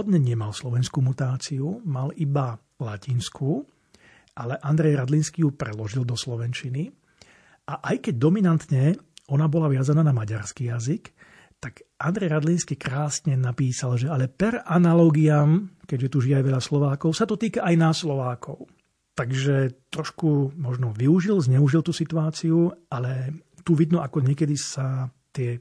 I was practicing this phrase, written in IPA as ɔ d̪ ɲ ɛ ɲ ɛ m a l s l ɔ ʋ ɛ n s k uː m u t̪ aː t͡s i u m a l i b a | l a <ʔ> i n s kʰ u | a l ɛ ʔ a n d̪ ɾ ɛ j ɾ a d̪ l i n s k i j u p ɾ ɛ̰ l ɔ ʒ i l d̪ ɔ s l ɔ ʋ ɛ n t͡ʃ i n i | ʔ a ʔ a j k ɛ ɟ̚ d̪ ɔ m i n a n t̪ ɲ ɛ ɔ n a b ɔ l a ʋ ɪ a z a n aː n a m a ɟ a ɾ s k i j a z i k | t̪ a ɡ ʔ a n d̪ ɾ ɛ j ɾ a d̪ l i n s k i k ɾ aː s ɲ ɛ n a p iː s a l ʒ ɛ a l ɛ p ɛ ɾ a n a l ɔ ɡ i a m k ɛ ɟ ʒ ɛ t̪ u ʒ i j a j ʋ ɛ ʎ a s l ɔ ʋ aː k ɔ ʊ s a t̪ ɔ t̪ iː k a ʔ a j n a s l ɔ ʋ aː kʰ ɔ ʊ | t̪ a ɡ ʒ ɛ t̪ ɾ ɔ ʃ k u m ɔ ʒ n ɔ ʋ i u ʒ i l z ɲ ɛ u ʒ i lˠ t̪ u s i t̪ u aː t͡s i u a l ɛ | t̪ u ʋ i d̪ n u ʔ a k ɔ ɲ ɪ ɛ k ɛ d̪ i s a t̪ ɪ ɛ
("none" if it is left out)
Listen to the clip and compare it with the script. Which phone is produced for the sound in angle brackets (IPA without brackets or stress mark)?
c